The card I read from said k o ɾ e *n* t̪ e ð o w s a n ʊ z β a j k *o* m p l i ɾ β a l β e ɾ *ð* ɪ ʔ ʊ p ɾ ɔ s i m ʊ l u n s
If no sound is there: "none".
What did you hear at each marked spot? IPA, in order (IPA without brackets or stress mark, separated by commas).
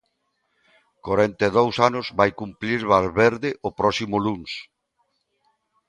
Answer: n, u, ð